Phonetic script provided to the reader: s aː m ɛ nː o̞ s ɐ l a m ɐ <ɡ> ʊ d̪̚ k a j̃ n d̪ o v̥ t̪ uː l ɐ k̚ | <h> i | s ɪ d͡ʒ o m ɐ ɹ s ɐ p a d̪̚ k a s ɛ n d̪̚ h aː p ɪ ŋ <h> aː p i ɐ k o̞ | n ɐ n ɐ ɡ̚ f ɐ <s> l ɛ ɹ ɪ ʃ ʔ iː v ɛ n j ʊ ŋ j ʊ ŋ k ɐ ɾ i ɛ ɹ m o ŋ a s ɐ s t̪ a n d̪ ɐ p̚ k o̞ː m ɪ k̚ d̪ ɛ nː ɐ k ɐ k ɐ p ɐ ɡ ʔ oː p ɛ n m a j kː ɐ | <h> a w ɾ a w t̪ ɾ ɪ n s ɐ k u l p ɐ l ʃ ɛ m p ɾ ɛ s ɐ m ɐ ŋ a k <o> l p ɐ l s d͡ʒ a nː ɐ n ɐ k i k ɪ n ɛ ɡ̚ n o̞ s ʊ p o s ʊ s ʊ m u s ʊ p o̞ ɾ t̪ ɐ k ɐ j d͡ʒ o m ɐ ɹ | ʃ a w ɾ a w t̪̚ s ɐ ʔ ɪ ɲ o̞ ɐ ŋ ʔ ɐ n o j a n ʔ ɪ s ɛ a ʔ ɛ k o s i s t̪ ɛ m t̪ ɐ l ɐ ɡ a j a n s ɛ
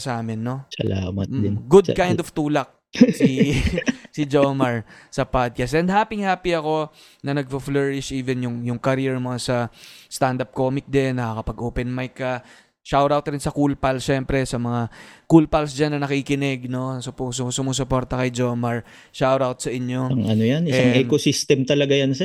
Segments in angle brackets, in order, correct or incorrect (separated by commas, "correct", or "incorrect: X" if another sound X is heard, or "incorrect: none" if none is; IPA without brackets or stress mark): correct, incorrect: s, correct, incorrect: f, incorrect: ʃ, incorrect: u